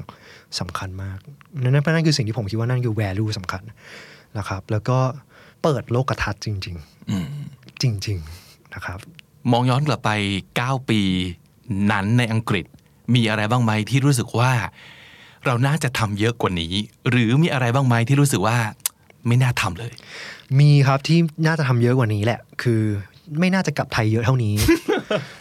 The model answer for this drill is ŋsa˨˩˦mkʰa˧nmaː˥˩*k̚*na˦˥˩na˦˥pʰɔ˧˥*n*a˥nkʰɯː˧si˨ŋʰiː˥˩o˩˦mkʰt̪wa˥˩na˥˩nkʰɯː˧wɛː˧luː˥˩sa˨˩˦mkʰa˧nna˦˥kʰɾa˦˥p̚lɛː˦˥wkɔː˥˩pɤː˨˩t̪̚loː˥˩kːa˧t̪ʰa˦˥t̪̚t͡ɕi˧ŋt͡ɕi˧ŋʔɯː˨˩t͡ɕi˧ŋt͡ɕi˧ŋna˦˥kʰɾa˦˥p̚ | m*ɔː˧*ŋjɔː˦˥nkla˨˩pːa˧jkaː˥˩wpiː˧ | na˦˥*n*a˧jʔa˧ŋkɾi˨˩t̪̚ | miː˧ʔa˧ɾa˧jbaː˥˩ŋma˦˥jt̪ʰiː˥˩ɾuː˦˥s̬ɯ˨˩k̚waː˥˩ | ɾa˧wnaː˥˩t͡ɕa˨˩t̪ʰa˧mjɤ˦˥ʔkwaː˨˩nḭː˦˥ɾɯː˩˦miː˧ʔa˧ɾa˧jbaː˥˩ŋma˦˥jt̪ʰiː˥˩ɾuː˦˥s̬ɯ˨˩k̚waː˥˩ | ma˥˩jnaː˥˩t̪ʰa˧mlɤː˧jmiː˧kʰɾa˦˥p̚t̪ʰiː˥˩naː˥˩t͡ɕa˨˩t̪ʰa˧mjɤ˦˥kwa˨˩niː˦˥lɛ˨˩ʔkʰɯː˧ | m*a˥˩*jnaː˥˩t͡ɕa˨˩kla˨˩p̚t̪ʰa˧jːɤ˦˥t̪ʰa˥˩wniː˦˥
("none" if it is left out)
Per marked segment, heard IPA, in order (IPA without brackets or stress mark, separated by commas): k̚, n, ɔː˧, nː, a˥˩